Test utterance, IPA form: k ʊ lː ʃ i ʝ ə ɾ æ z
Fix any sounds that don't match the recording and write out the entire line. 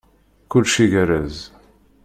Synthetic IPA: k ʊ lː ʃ i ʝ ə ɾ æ z